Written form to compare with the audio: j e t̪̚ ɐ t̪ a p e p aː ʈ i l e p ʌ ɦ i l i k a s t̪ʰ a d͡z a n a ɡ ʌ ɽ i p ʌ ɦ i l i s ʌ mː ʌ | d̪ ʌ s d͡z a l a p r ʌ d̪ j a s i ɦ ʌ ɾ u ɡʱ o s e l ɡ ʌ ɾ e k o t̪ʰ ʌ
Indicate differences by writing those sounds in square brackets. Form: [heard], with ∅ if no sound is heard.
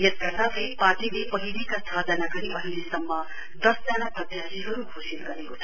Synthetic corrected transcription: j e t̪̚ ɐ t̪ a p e p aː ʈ i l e p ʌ ɦ i l i k a s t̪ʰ a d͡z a n a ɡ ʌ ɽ i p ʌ ɦ i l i s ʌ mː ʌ | d̪ ʌ s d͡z a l a p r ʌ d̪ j a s i ɦ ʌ ɾ u ɡʱ o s [i] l ɡ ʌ ɾ e k o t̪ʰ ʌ